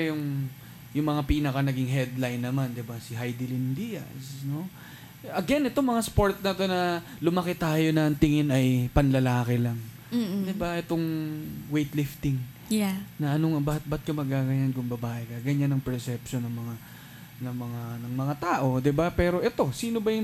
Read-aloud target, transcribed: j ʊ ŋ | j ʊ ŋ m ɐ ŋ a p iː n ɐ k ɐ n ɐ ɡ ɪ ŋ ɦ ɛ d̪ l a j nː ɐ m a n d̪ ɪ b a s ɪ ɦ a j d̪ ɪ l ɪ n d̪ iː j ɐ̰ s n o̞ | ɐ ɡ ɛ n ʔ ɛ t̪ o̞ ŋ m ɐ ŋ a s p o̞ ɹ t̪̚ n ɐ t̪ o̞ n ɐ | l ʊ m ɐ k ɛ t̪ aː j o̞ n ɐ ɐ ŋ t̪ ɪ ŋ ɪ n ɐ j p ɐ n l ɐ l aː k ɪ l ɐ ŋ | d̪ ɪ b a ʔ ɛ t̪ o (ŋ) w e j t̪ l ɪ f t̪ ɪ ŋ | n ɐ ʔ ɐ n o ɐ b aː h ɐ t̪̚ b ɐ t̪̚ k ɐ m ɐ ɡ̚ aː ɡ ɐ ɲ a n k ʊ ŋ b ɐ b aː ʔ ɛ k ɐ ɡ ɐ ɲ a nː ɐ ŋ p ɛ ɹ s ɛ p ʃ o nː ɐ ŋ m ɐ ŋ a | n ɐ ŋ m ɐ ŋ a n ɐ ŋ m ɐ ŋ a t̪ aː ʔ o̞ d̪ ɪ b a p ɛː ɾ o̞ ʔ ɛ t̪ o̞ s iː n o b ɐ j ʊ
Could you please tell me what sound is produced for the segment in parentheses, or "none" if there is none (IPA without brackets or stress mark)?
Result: ŋ